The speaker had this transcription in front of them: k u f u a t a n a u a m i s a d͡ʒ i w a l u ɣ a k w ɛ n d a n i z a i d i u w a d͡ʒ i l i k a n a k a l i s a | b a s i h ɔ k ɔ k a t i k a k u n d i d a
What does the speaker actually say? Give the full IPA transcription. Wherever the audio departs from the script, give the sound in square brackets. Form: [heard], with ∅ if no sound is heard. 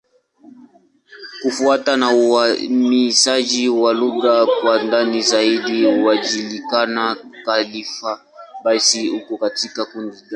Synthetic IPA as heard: k u f u a t a n a u a m i s a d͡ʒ i w a l u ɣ a k w [a] n d a n i z a i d i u w a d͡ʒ i l i k a n a k a l i [f] a | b a s i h [u] k ɔ k a t i k a k u n d i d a